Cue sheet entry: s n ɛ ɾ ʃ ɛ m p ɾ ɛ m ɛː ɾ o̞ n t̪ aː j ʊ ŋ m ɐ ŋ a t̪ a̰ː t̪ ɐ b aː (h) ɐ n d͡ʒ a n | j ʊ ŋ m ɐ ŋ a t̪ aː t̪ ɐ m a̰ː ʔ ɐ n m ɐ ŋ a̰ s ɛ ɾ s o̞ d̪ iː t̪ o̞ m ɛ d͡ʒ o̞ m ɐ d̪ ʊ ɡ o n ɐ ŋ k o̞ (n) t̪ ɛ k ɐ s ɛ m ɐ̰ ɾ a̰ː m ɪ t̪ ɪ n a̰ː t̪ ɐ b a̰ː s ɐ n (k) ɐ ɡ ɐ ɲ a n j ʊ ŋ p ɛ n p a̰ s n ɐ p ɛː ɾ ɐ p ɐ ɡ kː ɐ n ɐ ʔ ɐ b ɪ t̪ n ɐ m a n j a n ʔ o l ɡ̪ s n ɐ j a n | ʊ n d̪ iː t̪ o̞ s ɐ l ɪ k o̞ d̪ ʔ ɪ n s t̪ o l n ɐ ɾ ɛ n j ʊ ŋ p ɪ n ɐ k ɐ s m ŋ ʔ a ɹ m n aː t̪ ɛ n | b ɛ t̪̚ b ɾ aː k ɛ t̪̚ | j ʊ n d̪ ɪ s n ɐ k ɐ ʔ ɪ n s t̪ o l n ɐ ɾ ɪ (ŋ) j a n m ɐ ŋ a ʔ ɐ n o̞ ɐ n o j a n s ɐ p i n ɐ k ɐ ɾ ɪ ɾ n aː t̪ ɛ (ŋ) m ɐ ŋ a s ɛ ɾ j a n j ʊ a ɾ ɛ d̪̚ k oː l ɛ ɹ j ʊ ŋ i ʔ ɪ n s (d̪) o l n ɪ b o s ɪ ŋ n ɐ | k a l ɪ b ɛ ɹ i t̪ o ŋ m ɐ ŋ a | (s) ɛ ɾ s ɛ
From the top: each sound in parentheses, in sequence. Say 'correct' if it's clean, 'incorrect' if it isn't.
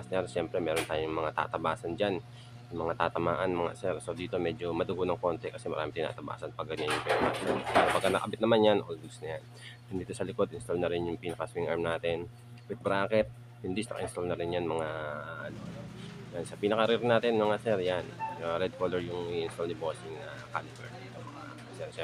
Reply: incorrect: s, correct, incorrect: p, incorrect: n, incorrect: n, incorrect: t̪, correct

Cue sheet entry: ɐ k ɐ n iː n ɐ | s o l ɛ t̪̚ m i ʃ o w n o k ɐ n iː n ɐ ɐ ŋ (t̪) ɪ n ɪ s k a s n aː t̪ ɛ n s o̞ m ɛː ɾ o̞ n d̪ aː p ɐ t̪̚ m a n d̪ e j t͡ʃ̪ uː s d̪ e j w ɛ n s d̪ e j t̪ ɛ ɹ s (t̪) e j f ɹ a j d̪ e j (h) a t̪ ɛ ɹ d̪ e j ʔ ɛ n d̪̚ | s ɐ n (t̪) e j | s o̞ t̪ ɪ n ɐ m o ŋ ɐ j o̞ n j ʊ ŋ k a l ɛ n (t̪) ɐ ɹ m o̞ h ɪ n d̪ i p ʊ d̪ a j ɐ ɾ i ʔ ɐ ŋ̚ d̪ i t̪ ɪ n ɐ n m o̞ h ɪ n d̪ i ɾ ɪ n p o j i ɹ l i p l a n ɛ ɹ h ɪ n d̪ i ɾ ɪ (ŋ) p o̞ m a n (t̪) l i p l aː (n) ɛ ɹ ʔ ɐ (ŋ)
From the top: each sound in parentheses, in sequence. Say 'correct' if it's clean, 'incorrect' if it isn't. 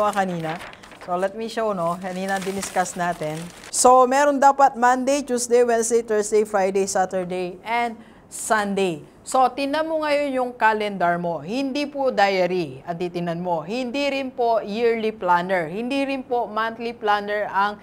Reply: incorrect: d̪, incorrect: d̪, incorrect: s, incorrect: d̪, incorrect: d̪, incorrect: n, correct, correct, correct

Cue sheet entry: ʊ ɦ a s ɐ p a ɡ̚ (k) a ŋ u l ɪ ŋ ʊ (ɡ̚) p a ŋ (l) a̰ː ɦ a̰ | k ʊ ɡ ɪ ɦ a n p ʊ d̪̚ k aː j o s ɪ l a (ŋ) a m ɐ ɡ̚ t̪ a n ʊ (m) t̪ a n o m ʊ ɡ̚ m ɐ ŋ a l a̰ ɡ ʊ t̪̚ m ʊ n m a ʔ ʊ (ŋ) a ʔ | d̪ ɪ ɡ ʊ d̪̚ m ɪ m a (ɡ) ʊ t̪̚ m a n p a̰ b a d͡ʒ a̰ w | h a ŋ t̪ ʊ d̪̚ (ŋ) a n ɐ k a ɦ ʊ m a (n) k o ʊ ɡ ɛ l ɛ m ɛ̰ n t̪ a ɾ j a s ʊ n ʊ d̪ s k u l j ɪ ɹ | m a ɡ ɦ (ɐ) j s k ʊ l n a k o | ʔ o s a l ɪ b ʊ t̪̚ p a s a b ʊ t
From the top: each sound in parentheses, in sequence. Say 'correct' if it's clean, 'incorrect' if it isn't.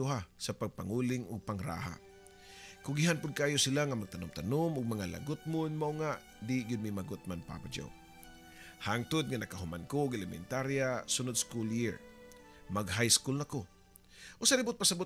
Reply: incorrect: p, correct, incorrect: ɾ, correct, correct, correct, correct, correct, correct, incorrect: a

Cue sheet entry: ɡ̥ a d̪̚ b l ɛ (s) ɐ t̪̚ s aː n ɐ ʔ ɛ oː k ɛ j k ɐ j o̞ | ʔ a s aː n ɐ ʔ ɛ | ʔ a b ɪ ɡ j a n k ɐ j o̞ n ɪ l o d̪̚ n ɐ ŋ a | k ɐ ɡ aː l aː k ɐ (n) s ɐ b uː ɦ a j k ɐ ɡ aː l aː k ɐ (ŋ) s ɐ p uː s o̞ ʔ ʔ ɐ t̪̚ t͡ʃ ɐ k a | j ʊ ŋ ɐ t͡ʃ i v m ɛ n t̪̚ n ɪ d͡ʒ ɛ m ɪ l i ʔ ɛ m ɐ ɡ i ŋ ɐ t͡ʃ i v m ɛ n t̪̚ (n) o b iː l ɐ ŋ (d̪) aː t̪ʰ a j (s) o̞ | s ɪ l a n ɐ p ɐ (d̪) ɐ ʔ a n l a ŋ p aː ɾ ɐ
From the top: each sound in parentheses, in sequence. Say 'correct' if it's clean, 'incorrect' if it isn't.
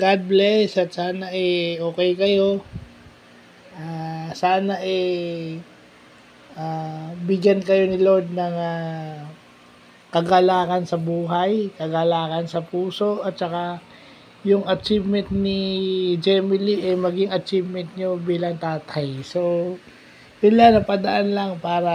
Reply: correct, correct, incorrect: n, incorrect: ɲ, incorrect: t̪, correct, correct

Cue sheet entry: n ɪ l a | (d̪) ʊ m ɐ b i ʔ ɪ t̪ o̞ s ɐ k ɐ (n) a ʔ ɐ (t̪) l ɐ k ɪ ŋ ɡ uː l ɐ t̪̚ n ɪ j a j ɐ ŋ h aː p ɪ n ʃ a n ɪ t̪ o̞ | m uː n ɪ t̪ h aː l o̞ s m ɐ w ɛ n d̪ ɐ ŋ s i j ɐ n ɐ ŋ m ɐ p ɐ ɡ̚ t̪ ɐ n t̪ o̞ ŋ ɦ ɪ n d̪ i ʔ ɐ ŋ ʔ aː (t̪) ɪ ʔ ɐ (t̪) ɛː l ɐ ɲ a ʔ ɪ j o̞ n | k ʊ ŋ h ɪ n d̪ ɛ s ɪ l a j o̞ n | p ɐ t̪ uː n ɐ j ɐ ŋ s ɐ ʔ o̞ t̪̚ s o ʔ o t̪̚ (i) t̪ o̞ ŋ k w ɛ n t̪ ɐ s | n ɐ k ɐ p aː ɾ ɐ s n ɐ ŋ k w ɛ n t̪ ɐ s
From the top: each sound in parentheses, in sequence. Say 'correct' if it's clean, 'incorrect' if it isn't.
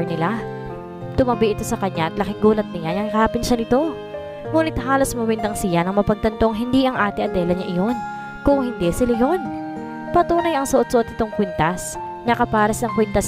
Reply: incorrect: t̪, incorrect: ɲ, correct, correct, incorrect: d̪, incorrect: ɪ

